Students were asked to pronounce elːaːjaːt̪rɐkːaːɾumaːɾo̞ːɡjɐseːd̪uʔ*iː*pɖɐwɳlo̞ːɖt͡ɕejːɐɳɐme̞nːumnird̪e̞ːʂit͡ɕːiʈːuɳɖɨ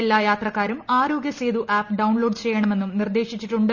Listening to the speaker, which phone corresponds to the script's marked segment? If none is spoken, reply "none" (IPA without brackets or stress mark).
aː